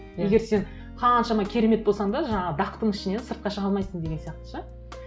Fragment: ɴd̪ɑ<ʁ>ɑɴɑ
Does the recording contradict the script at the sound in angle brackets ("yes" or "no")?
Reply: yes